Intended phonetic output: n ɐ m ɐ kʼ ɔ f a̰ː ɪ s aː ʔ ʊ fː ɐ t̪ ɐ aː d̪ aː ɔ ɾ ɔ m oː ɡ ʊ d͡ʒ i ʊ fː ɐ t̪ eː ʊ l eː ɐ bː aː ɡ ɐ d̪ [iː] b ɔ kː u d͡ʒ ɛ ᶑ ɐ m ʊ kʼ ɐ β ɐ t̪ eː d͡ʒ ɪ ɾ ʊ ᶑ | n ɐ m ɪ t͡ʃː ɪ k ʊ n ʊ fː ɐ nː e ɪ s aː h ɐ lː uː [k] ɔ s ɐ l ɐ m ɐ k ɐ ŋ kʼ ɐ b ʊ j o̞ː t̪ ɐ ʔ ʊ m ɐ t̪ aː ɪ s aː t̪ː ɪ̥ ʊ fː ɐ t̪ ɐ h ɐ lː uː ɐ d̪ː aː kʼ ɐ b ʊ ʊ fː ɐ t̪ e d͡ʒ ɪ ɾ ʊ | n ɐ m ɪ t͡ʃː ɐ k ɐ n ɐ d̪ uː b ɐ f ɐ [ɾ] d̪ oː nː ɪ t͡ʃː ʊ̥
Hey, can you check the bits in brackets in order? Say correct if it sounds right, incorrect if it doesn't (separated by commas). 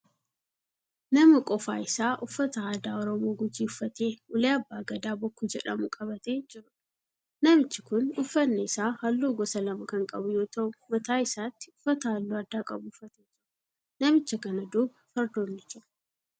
incorrect, incorrect, correct